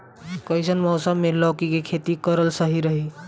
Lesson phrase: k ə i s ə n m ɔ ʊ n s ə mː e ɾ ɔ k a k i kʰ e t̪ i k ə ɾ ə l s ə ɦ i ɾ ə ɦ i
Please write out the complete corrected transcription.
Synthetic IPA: k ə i s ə n m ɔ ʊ s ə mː e l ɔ k i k e kʰ e t̪ i k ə ɾ ə l s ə ɦ i ɾ ə ɦ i